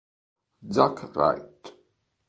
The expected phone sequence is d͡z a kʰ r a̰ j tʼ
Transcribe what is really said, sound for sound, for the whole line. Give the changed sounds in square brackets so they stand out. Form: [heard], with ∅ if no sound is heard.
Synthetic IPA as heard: d͡z a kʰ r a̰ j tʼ

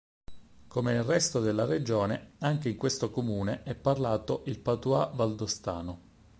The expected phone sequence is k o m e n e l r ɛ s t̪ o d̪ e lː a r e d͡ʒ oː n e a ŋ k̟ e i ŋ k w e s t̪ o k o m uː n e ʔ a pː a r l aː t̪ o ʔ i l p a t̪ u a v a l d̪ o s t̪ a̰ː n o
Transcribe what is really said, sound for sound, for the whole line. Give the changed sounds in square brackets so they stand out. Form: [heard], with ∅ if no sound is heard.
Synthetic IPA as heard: k o m e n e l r ɛ s t̪ o d̪ e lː a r e d͡ʒ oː n e a ŋ k̟ e i ŋ k w e s t̪ o k o m uː n e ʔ [ɛ] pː a r l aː t̪ o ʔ i l p a t̪ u a v a l d̪ o s t̪ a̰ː n o

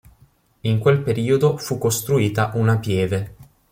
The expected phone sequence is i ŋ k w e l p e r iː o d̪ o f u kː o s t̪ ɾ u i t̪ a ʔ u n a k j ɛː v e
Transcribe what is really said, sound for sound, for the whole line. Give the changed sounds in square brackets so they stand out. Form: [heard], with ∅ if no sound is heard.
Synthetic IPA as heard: i ŋ k w e l p e [ɾ] iː o d̪ o f u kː o s t̪ ɾ u [iː] t̪ a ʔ u n a [p] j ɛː v e

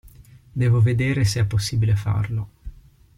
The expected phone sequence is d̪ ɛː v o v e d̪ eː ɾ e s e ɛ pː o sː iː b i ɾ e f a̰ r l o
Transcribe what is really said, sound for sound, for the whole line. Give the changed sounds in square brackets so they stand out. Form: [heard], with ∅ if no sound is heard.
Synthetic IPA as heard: d̪ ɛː v o v e d̪ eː ɾ e s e ɛ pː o sː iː b i [l] e f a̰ r l o

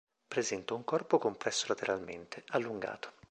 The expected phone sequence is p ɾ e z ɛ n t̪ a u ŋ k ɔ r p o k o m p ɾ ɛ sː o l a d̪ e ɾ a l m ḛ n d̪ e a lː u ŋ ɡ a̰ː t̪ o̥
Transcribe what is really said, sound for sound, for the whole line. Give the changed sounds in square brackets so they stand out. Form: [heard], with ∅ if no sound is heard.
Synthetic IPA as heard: p ɾ e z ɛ n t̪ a u ŋ k ɔ r p o k o m p ɾ ɛ sː o l a [t̪] e ɾ a l m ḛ n [t̪] e a lː u ŋ ɡ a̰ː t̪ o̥

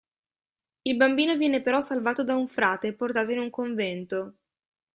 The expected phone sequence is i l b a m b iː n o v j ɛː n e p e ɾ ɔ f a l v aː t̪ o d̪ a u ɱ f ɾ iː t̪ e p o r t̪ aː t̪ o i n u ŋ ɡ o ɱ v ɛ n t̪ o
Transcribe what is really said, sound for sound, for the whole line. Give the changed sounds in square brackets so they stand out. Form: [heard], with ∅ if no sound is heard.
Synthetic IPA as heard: i l b a m b iː n o v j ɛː n e p e ɾ ɔ [s] a l v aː t̪ o d̪ a u ɱ f ɾ [aː] t̪ e p o r t̪ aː t̪ o i n u ŋ [k] o ɱ v ɛ n t̪ o

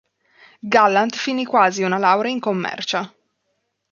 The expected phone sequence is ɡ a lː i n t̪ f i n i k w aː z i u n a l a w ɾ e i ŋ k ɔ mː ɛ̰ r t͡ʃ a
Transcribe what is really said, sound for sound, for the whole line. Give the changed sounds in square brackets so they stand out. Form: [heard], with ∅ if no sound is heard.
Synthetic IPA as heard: ɡ a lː [a] n t̪ f i n i k w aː z i u n a l a w ɾ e i ŋ k [o] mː ɛ̰ r t͡ʃ a

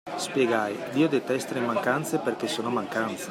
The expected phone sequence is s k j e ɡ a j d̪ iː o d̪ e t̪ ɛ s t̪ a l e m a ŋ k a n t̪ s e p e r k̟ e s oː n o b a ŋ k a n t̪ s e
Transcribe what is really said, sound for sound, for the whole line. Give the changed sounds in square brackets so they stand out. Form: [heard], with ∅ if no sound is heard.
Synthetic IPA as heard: s [p] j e ɡ a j d̪ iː o d̪ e t̪ ɛ s t̪ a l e m a ŋ k a n t̪ s e p e r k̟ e s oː n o [m] a ŋ k a n t̪ s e

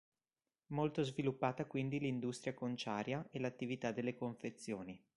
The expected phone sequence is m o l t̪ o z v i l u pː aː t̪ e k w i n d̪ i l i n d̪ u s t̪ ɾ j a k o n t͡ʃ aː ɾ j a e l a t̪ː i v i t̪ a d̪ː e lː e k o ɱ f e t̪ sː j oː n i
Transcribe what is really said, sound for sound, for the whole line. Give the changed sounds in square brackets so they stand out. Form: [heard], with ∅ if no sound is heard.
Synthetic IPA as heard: m o l t̪ o z v i l u pː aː t̪ [a] k w i n d̪ i l i n d̪ u s t̪ ɾ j a k o n t͡ʃ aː ɾ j a e l a t̪ː i v i t̪ a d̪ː e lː e k o ɱ f e t̪ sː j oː n i

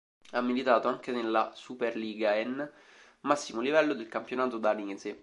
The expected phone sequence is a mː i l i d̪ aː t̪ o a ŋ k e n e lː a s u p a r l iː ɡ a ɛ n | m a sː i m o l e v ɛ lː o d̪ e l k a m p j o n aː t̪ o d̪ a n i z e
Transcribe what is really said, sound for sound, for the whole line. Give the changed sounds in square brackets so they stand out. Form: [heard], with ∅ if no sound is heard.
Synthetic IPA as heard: a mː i l i [t̪] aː t̪ o a ŋ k e n e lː a s u p [e] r l iː ɡ a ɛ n | m a sː i m o l [i] v ɛ lː o d̪ e l k a m p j o n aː t̪ o d̪ a n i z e

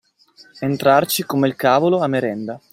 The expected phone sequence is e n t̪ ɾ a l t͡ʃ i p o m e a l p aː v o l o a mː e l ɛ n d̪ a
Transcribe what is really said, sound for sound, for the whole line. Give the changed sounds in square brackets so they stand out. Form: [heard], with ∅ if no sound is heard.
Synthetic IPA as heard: e n t̪ ɾ a [r] t͡ʃ i [k] o m e [i] l [k] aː v o l o a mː e [ɾ] ɛ n d̪ a

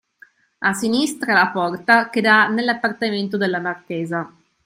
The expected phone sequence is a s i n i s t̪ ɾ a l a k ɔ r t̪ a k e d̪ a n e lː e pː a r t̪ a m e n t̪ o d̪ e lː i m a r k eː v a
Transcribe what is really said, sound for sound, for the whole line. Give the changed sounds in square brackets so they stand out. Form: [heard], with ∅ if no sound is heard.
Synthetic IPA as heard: a s i n i s t̪ ɾ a l a [p] ɔ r t̪ a k e d̪ a n e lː [a] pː a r t̪ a m e n t̪ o d̪ e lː [a] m a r k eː [z] a

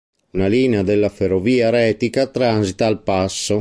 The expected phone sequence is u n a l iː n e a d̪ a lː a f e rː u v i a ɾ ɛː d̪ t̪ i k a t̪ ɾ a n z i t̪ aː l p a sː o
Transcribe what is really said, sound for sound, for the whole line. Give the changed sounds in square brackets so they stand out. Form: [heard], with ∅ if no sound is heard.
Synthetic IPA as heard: u n a l iː n e a d̪ [e] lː a f e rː [o] v [iː] a ɾ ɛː [∅] t̪ i k a t̪ ɾ a n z i t̪ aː l p a sː o

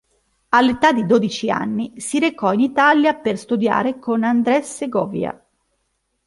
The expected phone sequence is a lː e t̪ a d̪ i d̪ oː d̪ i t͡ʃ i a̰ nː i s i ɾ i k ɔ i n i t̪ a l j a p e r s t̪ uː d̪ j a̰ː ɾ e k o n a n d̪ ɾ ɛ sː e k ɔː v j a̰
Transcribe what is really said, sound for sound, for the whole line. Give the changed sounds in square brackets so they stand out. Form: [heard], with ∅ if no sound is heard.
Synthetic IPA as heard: a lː e t̪ a d̪ i d̪ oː d̪ i t͡ʃ i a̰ nː i s i ɾ [e] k ɔ i n i t̪ a l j a p e r s t̪ [u] d̪ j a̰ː ɾ e k o n a n d̪ ɾ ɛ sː e [ɡ] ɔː v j a̰

